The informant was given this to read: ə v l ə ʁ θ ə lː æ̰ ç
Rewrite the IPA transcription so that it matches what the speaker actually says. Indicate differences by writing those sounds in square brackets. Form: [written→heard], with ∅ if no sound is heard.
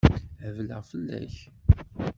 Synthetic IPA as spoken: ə v l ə ʁ [θ→f] ə lː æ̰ ç